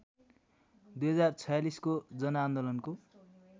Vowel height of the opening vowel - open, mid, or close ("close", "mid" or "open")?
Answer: close